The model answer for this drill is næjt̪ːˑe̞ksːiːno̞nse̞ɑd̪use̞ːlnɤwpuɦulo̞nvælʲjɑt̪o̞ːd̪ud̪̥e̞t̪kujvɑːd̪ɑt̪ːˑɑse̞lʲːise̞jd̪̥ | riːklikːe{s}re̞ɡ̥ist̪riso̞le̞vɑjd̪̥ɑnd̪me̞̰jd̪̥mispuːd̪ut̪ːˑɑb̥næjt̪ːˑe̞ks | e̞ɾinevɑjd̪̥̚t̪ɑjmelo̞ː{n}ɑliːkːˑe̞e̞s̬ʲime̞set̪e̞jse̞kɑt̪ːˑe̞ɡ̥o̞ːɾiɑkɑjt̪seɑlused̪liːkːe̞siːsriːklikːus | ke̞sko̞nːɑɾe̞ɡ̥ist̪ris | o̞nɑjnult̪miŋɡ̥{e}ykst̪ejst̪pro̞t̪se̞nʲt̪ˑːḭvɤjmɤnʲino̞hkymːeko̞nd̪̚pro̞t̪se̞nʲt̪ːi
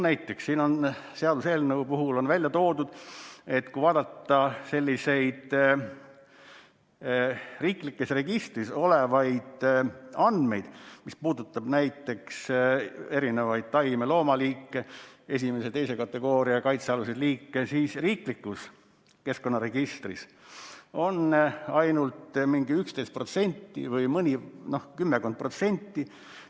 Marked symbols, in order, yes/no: yes, no, no

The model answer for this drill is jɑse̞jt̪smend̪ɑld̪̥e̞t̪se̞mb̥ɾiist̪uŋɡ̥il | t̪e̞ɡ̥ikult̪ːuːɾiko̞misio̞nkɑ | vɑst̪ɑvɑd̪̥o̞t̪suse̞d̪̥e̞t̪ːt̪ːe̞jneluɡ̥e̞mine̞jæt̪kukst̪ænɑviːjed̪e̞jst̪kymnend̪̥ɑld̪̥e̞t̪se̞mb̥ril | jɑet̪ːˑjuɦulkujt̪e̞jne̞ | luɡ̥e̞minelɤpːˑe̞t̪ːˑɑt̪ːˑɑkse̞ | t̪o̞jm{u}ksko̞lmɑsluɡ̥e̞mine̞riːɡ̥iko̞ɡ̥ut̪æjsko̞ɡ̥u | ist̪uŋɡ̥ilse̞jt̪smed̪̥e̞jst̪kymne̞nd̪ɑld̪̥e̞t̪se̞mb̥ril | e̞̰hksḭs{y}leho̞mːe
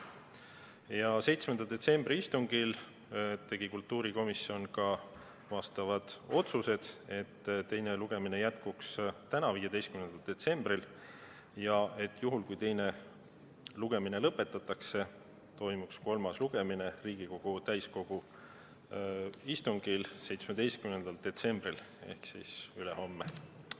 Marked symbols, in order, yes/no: yes, yes

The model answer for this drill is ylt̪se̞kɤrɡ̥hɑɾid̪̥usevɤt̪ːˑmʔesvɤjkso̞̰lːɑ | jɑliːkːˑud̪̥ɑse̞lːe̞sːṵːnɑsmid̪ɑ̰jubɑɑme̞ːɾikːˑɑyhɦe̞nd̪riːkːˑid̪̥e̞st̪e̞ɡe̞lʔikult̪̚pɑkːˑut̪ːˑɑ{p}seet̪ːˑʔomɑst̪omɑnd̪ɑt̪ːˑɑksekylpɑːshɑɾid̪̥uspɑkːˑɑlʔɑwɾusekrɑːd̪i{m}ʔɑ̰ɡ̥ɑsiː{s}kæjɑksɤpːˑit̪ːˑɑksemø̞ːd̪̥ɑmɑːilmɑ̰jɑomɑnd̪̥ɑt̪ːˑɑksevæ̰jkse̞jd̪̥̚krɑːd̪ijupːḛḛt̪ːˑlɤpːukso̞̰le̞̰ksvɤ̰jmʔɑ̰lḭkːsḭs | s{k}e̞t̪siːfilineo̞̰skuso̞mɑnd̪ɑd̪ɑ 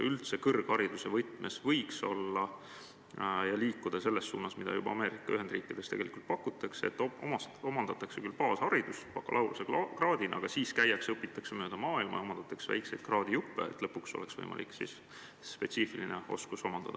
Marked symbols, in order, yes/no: no, no, yes, no

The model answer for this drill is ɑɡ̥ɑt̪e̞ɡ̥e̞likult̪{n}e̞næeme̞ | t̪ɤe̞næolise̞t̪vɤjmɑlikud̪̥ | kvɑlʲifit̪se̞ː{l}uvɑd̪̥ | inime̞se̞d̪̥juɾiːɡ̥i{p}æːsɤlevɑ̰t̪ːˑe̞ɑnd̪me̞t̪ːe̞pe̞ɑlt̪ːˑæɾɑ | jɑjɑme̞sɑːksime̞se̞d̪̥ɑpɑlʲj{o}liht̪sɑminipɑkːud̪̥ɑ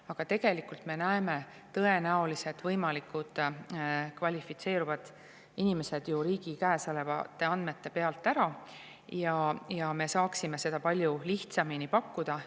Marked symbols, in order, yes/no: no, no, no, no

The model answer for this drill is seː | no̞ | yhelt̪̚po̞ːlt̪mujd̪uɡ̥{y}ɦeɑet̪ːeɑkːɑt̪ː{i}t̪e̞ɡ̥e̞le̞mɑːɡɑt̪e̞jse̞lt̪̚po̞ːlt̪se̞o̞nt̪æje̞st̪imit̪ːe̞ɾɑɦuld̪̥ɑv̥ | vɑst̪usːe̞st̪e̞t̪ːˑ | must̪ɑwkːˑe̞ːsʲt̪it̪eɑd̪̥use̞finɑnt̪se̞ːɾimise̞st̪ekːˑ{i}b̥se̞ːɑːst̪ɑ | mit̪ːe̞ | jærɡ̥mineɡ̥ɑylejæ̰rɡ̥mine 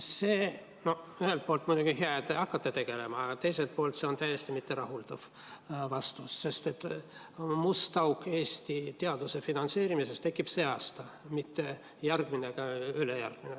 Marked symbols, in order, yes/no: no, no, yes

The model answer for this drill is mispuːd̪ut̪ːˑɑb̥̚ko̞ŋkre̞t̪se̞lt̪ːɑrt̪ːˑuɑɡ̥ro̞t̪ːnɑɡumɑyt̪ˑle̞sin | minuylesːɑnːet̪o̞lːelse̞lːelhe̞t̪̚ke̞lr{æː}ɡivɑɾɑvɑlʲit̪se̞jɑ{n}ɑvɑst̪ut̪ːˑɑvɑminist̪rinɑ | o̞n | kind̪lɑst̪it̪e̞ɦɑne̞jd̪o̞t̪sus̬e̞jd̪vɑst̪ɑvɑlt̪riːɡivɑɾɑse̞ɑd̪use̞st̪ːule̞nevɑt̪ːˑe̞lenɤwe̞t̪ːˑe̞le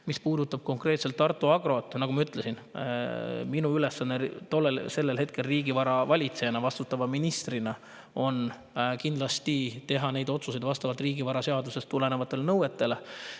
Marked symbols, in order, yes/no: no, yes

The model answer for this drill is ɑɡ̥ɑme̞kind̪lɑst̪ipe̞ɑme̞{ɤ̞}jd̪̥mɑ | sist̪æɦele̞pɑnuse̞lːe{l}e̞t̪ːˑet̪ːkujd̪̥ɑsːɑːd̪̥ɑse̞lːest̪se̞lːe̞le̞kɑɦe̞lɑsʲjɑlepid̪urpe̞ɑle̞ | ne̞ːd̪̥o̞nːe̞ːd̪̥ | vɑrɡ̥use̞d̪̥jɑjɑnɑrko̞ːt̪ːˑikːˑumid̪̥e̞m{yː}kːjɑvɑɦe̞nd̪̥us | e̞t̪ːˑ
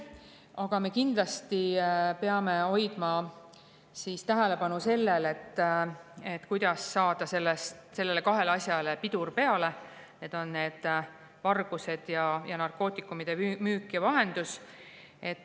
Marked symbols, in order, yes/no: no, yes, yes

